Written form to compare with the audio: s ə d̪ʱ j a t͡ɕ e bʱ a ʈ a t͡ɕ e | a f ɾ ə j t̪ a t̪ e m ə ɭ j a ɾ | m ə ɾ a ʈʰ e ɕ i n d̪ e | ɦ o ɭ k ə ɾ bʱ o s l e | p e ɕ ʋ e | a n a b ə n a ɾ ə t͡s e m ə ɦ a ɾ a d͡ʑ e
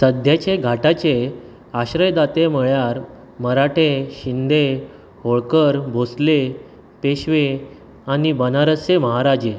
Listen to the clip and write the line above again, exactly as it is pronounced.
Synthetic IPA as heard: s ə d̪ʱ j a t͡ɕ e ɡʱ a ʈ a t͡ɕ e | a ɕ ɾ ə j d̪ a t̪ e m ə ɭ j a ɾ | m ə ɾ a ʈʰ e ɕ i n d̪ e | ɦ o ɭ k ə ɾ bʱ o s l e | p e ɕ ʋ e | a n i b ə n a ɾ ə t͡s e m ə ɦ a ɾ a d͡ʑ e